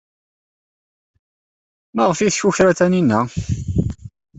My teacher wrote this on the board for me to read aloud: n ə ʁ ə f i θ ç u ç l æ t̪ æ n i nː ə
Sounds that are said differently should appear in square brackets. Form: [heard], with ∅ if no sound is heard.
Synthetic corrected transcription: [m] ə ʁ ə f i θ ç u ç [ɾ] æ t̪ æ n i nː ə

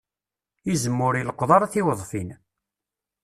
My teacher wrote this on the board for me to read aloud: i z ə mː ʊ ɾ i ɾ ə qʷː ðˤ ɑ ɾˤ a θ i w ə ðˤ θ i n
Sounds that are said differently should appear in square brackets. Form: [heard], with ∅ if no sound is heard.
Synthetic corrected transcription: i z ə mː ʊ ɾ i [l] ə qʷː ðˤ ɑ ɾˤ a θ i w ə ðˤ [f] i n

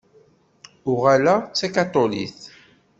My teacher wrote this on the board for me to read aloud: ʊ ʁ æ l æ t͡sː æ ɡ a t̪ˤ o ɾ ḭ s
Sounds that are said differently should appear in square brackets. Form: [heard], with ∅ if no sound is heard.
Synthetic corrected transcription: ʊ ʁ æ l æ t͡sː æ [k] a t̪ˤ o [l] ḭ [θ]

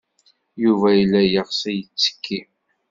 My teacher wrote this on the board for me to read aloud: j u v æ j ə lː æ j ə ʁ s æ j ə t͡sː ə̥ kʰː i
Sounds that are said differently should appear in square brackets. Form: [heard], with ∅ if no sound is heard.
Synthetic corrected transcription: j u v æ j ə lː æ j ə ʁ s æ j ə t͡sː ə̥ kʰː i

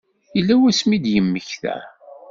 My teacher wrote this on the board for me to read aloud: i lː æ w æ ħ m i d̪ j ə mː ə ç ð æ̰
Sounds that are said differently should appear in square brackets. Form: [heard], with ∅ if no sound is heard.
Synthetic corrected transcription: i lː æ w æ [s] m i d̪ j ə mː ə ç [θ] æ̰

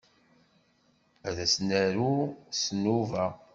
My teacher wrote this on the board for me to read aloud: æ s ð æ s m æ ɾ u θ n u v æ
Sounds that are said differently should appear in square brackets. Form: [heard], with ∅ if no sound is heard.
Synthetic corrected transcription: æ [∅] ð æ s [n] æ ɾ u [s] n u v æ

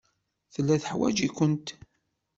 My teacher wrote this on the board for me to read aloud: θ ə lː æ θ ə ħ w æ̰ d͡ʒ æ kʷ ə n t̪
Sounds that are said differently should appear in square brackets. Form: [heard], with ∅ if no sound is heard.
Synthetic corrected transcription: θ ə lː æ θ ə ħ w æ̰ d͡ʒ [i] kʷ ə n t̪

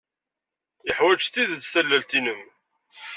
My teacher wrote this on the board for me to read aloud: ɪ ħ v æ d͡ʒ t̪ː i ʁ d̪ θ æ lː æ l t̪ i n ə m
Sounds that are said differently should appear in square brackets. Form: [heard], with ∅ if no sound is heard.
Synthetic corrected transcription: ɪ ħ [w] æ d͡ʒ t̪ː i [ð] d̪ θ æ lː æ l t̪ i n ə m

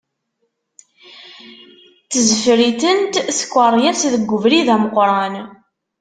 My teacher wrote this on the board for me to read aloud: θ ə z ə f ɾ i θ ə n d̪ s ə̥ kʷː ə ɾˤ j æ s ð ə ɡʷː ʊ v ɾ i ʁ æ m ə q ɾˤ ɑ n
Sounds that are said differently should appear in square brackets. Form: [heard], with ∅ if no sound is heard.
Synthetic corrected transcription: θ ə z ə f ɾ i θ ə n [t̪] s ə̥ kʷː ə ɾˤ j æ s ð ə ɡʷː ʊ v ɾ i [ð] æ m ə q ɾˤ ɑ n

